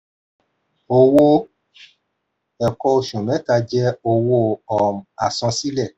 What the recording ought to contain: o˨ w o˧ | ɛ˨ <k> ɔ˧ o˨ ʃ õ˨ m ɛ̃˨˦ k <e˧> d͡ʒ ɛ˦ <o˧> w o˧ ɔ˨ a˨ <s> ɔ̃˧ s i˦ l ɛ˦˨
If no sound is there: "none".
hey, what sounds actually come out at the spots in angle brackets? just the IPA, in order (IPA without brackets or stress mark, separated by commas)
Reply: k, a˧, o˧, s